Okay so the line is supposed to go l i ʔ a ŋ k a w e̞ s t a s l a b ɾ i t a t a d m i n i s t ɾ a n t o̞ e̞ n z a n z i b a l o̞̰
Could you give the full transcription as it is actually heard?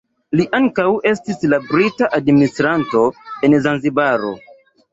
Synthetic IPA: l i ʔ a ŋ k a w e̞ s t i s l a b ɾ i t a ʔ a d m i n i s t ɾ a n t o̞ e̞ n z a n z i b a ɾ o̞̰